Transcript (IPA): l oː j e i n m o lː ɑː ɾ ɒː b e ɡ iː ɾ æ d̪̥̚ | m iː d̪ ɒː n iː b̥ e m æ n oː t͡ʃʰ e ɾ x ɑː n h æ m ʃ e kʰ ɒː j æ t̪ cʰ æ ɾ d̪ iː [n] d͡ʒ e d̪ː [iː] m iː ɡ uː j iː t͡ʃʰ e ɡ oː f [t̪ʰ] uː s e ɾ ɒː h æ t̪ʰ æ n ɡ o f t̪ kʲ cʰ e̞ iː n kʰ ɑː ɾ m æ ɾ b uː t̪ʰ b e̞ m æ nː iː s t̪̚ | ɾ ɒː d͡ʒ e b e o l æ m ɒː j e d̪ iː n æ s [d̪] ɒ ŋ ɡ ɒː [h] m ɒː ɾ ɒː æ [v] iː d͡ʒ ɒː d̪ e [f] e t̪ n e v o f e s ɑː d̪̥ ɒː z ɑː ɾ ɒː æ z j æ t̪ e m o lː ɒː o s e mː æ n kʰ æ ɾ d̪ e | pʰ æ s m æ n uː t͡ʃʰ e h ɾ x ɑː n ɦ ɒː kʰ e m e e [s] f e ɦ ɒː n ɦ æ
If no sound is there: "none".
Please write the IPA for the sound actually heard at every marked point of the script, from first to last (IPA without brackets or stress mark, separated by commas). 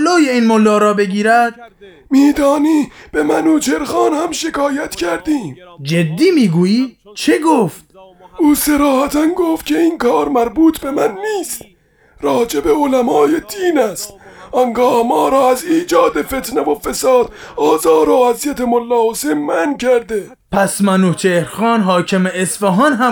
m, iː, t̪, t̪, h, z, f, s